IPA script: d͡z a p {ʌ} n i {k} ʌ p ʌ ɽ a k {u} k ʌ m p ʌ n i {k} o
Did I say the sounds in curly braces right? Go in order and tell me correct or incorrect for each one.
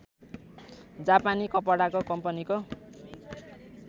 incorrect: a, correct, incorrect: o, correct

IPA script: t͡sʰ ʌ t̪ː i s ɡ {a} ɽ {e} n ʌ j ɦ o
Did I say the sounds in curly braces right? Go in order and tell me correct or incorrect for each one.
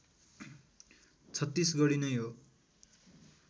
incorrect: ʌ, incorrect: i

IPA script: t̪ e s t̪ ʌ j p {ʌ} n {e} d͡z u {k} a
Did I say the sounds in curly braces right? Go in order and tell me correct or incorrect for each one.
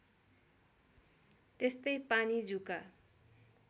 incorrect: a, incorrect: i, correct

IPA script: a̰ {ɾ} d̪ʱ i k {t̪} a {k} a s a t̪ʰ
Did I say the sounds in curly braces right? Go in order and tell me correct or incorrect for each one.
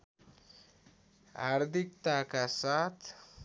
correct, correct, correct

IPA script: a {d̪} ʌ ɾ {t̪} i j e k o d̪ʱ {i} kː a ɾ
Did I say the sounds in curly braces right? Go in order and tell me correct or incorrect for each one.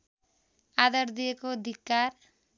correct, incorrect: d̪, correct

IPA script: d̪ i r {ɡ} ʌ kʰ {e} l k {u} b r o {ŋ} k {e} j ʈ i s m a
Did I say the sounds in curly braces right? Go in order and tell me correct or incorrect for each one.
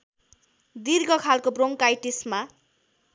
correct, incorrect: a, incorrect: o, correct, incorrect: a

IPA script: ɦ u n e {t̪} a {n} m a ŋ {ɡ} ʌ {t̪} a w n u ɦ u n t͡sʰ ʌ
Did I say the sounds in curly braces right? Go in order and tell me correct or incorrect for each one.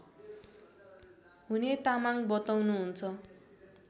correct, incorrect: none, incorrect: b, correct

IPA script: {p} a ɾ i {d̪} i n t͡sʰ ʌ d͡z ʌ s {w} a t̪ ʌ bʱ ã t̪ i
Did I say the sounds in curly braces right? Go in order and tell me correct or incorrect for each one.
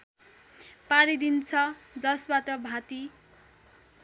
correct, correct, incorrect: b

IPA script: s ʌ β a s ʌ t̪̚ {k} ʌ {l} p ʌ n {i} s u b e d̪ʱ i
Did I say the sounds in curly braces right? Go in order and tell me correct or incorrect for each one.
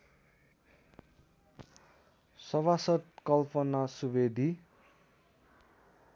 correct, correct, incorrect: a

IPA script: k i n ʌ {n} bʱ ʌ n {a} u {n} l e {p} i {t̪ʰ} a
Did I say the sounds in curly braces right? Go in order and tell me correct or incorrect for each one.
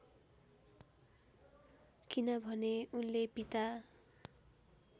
incorrect: none, incorrect: e, correct, correct, incorrect: t̪

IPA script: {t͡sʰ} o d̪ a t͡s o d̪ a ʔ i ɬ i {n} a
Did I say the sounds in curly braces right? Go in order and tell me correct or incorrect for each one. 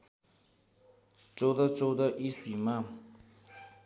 incorrect: t͡s, incorrect: m

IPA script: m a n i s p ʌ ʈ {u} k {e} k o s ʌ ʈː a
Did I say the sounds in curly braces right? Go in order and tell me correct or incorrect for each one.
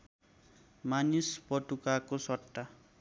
correct, incorrect: a

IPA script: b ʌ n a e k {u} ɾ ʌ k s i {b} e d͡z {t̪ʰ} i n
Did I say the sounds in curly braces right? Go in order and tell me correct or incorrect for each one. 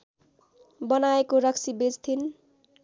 incorrect: o, correct, correct

